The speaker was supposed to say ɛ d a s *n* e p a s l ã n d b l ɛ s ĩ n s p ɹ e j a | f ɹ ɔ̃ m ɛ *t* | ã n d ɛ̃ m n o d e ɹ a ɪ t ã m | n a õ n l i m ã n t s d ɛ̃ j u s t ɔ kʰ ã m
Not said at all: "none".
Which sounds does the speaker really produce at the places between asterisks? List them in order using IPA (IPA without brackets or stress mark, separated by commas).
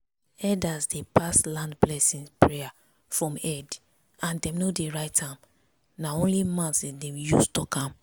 d, d